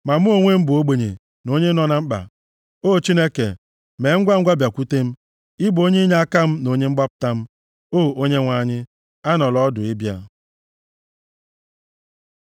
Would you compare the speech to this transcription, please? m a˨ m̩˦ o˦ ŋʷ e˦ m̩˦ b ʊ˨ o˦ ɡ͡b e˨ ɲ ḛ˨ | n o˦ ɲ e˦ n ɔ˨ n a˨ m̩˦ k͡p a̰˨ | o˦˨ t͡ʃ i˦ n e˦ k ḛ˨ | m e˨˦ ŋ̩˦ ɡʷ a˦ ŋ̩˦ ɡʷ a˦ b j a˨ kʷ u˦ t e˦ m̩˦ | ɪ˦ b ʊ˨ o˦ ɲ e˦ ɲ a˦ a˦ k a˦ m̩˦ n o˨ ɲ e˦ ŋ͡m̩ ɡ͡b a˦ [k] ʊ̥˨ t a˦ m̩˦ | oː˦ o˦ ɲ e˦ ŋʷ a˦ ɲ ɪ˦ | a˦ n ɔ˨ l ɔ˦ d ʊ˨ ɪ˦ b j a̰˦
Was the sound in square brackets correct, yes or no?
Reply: no